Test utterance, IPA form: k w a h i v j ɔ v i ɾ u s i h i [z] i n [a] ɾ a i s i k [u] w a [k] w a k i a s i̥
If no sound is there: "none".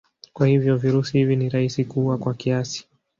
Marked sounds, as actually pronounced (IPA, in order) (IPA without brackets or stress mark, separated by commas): v, i, u, k